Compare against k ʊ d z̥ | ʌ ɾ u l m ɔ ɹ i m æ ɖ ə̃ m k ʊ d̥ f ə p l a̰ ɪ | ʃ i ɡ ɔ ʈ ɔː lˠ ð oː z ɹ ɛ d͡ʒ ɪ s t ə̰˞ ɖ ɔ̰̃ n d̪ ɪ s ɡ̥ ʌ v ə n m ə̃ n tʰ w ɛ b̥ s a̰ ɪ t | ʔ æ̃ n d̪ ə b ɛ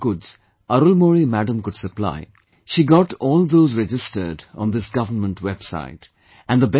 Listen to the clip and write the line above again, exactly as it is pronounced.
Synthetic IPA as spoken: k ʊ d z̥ | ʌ ɾ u l m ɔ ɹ i m æ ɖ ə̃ m k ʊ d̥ s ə p l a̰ ɪ | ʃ i ɡ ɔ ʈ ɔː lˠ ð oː z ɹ ɛ d͡ʒ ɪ s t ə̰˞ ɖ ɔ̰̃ n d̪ ɪ s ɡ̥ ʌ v ə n m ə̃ n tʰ w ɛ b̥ s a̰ ɪ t | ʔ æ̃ n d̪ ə b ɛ

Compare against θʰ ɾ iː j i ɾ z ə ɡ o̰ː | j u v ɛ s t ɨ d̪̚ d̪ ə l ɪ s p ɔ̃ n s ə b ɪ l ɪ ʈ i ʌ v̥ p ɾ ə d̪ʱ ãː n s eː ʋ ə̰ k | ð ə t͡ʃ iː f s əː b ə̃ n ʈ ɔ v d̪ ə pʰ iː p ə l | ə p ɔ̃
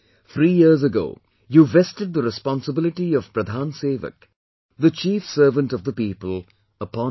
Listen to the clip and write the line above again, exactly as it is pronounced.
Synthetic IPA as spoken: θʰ ɾ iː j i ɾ z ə ɡ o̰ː | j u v ɛ s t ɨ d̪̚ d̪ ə ɾ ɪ s p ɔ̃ n s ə b ɪ l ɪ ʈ i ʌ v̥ p ɾ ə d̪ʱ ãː n s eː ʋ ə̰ k | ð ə t͡ʃ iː f s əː v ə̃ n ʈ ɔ v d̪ ə p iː p ə l | ə p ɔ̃

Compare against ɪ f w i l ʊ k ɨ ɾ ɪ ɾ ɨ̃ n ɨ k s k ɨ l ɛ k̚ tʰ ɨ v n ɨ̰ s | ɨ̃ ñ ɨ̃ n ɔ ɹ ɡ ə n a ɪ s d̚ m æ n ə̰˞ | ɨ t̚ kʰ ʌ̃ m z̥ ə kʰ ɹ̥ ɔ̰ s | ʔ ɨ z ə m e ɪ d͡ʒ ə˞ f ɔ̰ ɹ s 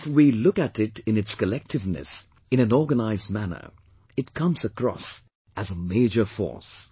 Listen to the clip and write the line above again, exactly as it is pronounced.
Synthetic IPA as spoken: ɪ f w i l ʊ k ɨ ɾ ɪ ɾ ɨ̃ n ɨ t s k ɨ l ɛ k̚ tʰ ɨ v n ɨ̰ s | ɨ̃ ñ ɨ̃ n ɔ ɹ ɡ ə n a ɪ z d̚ m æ n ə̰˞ | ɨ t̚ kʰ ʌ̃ m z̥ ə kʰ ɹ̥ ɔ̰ s | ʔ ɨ z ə m e ɪ d͡ʒ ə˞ f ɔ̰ ɹ s

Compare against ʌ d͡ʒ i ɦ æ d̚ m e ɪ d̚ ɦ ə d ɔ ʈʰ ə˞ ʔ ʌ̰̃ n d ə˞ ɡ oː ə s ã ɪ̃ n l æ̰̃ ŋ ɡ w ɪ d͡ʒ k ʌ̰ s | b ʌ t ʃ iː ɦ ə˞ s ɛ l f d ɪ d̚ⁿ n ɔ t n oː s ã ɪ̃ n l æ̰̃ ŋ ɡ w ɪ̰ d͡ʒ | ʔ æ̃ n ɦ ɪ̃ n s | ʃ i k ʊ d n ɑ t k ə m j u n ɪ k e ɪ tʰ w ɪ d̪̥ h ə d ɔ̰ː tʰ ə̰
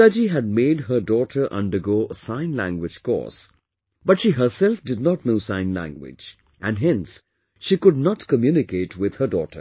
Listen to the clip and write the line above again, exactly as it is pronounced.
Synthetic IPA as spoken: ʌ d͡ʒ i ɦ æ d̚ m e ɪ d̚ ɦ ə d ɔ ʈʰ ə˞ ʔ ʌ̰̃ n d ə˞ ɡ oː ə s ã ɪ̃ n l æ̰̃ ŋ ɡ w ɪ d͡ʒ k ɔ̰ s | b ʌ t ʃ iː ɦ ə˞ s ɛ l f d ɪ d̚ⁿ n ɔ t n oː s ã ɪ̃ n l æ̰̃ ŋ ɡ w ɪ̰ d͡ʒ | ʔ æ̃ n ɦ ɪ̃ n s | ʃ i k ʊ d n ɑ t k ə m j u n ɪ k e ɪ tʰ w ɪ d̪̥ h ə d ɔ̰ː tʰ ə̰

